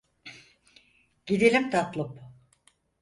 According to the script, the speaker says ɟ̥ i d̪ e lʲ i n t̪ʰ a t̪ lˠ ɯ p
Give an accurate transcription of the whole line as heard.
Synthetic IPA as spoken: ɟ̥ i d̪ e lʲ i m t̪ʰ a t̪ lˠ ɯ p